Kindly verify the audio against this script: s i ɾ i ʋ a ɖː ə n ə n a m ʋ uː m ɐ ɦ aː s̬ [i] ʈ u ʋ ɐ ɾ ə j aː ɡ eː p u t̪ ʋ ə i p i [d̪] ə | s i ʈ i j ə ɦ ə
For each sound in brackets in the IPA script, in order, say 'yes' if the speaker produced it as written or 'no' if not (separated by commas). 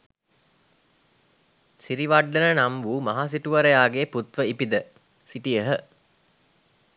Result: yes, yes